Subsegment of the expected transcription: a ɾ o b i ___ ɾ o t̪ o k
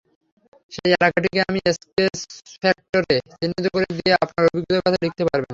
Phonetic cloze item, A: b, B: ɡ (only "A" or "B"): B